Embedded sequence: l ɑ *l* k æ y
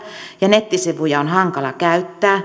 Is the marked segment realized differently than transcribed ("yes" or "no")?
yes